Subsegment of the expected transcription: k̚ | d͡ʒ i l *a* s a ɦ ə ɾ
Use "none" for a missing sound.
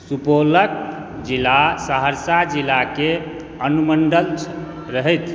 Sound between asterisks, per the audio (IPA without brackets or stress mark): a